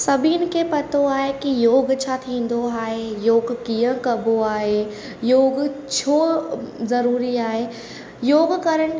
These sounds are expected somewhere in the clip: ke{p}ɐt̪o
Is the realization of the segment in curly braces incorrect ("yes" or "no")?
no